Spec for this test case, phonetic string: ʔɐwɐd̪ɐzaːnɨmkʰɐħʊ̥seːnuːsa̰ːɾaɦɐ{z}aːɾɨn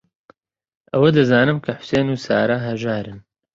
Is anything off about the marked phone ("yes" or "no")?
yes